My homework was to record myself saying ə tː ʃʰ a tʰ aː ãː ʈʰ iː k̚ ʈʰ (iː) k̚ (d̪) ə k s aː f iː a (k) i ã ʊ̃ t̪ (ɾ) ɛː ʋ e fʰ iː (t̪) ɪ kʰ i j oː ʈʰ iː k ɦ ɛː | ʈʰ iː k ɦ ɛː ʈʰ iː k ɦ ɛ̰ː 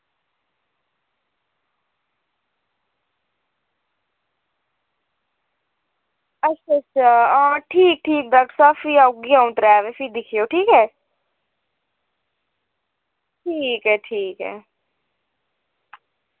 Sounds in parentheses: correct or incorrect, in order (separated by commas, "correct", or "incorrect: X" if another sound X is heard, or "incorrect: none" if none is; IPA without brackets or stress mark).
correct, correct, incorrect: ɡ, correct, incorrect: d̪